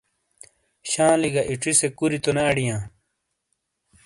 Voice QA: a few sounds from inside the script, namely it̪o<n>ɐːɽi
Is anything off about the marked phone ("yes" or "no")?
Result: no